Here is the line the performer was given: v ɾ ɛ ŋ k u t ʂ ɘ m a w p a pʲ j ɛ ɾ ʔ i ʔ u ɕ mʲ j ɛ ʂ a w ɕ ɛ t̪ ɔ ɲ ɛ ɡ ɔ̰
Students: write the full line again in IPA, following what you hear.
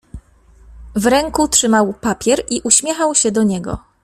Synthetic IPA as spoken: v ɾ ɛ ŋ k u t ʂ ɘ m a w p a pʲ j ɛ ɾ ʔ i ʔ u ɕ mʲ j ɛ x a w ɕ ɛ d̪ ɔ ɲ ɛ ɡ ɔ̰